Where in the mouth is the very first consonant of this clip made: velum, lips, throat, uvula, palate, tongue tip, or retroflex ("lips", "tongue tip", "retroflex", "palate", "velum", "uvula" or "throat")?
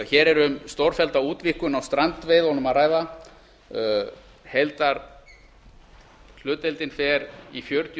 palate